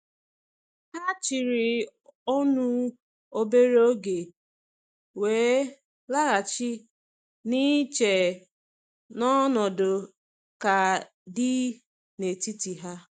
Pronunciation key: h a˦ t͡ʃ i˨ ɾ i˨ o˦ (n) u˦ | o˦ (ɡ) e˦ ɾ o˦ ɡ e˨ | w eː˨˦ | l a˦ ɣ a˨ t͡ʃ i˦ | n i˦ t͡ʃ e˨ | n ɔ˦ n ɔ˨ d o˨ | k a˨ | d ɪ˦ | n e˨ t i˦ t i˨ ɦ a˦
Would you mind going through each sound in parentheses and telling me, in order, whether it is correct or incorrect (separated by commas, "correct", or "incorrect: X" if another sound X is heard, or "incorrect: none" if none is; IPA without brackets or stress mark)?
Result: correct, incorrect: b